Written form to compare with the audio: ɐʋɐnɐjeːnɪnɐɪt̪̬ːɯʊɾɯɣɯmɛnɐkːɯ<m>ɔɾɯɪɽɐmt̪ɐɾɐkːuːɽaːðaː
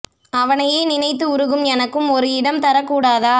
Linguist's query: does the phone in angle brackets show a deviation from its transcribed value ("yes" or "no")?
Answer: no